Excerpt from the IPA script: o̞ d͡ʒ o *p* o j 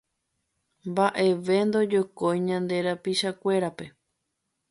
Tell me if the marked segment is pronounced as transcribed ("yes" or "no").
no